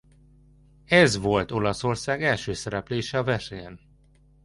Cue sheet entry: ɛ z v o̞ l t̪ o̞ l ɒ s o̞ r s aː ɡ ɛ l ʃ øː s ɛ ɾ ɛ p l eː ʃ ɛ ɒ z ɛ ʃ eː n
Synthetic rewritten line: ɛ z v o̞ l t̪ o̞ l ɒ s o̞ r s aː ɡ ɛ l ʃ øː s ɛ ɾ ɛ p l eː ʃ ɛ ɒ v ɛ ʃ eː n